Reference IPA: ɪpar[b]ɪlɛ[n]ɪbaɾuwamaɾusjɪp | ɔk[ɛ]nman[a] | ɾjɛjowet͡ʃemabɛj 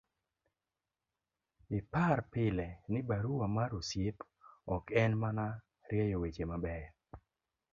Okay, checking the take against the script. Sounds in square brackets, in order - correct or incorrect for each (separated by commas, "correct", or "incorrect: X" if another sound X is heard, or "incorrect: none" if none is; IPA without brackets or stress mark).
incorrect: p, correct, correct, correct